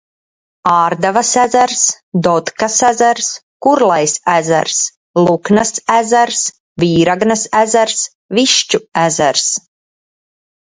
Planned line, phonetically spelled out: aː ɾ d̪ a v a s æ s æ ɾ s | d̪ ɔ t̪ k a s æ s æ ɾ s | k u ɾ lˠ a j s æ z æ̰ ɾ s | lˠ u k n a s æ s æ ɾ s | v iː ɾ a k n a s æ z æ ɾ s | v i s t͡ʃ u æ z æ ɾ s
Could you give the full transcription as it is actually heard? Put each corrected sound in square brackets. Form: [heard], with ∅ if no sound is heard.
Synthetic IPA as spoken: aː ɾ d̪ a v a s æ [z] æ ɾ s | d̪ ɔ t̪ k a s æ [z] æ ɾ s | k u ɾ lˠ a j s æ z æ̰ ɾ s | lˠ u k n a s æ [z] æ ɾ s | v iː ɾ a [ɡ] n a s æ z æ ɾ s | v i [ʃ] t͡ʃ u æ z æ ɾ s